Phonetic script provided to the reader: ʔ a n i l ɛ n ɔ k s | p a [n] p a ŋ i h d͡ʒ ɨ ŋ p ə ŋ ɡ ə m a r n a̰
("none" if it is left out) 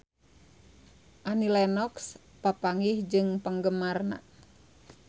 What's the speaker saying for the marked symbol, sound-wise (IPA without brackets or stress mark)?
none